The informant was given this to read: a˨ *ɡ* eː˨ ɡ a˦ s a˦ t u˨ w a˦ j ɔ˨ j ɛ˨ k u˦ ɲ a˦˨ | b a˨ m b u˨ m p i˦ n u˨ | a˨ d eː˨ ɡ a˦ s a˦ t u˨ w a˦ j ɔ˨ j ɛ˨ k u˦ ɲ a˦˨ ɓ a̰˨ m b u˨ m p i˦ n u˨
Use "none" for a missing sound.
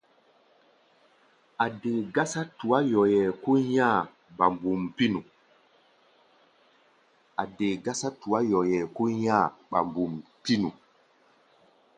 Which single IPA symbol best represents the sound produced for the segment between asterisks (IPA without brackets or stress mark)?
d